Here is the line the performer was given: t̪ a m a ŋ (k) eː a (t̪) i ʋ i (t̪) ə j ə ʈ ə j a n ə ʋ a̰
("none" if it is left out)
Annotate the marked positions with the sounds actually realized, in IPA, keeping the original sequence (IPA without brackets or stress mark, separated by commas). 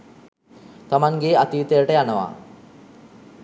ɡ, t̪, t̪